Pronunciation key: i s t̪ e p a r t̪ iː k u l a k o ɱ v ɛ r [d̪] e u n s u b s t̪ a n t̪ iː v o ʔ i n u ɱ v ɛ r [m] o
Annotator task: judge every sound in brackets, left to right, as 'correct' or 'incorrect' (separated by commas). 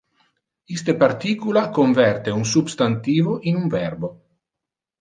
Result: incorrect, incorrect